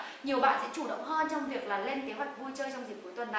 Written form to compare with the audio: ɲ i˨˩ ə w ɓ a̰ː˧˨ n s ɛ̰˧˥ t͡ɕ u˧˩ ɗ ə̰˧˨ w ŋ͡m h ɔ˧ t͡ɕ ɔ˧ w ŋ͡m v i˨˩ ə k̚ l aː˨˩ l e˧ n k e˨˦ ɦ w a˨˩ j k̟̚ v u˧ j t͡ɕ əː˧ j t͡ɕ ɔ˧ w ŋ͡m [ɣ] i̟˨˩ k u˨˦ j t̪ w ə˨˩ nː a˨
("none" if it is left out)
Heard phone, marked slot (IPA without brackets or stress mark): z